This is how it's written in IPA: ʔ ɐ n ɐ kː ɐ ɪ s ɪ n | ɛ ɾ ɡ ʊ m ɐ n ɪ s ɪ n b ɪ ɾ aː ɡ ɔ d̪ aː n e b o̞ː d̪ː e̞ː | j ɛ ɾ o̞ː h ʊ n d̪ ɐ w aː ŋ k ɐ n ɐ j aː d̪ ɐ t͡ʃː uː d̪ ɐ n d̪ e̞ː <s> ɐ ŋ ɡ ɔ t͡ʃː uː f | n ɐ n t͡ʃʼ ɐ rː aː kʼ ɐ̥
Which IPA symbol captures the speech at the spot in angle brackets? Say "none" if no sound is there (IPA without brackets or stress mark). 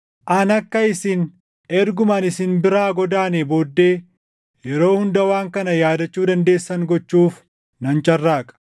sː